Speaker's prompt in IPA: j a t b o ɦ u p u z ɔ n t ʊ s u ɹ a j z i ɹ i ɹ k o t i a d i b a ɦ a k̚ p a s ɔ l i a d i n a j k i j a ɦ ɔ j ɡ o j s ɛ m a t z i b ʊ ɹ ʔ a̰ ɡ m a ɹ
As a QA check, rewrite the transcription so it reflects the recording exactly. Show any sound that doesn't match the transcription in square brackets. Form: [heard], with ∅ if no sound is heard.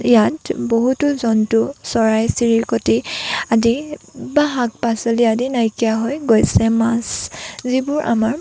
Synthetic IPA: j a t b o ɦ u [t] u z ɔ n t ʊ s [ɔ] ɹ a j [s] i ɹ i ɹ k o t i a d i b a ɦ a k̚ p a s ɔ l i a d i n a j k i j a ɦ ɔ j ɡ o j s ɛ m a [s] z i b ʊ ɹ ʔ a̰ [∅] m a ɹ